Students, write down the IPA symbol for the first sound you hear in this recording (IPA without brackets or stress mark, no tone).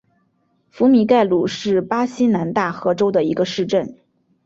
f